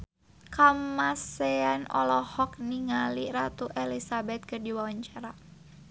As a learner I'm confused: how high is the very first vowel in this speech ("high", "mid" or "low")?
low